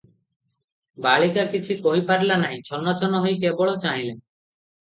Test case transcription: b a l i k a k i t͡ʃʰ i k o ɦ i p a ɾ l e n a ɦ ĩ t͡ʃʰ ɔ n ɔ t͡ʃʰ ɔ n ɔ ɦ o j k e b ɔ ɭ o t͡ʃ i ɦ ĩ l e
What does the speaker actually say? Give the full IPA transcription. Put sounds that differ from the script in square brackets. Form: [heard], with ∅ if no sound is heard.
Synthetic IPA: b a [ɭ] i k a k i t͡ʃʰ i k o ɦ i p a ɾ l [a] n a ɦ ĩ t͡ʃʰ ɔ n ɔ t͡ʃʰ ɔ n ɔ ɦ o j k e b ɔ ɭ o t͡ʃ [a] ɦ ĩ l e